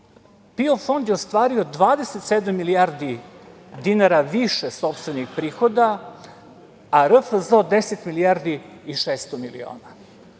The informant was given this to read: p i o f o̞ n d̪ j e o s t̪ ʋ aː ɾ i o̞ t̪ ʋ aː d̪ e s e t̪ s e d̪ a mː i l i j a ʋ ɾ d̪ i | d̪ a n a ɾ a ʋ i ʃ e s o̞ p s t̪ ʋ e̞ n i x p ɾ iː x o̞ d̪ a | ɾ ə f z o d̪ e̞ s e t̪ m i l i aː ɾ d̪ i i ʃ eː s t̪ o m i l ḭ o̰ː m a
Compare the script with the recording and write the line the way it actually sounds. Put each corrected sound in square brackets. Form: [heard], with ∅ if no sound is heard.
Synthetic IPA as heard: p i o f o̞ n d̪ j e o s t̪ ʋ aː ɾ i o̞ [d̪] ʋ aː d̪ e s e t̪ s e d̪ a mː i l i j a [∅] ɾ d̪ i | d̪ [i] n a ɾ a ʋ i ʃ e s o̞ p s t̪ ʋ e̞ n i x p ɾ iː x o̞ d̪ a | ɾ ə f z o d̪ e̞ s e t̪ m i l i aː ɾ d̪ i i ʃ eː s t̪ o m i l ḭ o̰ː [n] a